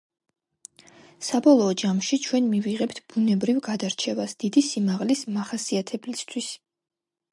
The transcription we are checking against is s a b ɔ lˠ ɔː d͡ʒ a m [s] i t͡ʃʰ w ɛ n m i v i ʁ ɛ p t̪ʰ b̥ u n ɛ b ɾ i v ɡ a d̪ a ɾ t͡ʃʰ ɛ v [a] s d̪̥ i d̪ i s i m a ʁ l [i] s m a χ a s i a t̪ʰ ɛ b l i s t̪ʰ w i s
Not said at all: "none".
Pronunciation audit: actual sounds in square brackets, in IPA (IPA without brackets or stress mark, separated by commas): ʃ, a, i